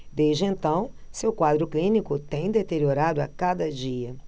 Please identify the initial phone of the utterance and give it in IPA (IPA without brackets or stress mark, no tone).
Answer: d̪